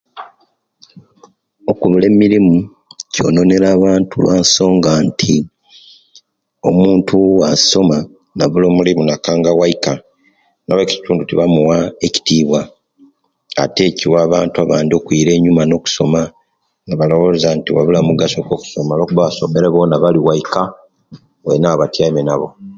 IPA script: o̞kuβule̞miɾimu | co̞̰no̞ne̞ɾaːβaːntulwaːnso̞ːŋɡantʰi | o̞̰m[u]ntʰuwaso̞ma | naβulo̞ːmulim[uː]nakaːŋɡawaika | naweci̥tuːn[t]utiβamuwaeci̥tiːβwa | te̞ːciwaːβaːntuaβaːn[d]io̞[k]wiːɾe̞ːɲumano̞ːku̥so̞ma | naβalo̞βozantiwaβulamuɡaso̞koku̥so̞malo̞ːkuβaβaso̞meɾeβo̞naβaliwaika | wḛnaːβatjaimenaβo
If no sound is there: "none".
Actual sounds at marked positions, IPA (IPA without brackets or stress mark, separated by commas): uː, u, d, d, k